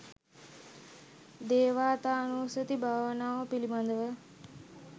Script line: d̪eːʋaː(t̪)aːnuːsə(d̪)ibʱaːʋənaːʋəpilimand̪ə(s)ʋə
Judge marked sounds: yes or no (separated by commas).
yes, no, no